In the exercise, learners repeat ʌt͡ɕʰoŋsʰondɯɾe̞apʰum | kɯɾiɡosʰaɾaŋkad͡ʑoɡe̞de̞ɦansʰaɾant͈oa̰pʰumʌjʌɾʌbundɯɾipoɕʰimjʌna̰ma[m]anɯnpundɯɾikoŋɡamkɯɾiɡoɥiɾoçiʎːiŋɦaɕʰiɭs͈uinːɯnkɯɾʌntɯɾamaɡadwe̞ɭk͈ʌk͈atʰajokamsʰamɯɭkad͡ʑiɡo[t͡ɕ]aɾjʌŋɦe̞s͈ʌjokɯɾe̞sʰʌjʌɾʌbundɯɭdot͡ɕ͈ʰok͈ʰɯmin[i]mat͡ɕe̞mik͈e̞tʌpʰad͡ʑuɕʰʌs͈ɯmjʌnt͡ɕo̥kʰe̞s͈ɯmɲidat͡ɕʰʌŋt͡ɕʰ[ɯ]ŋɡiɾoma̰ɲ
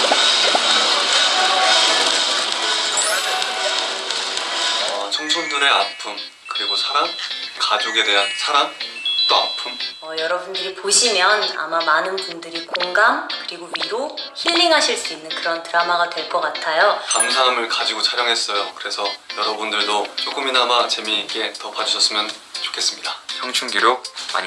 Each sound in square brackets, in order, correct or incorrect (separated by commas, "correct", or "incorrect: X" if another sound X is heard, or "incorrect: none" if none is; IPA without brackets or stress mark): correct, incorrect: t͡ɕʰ, incorrect: a, incorrect: u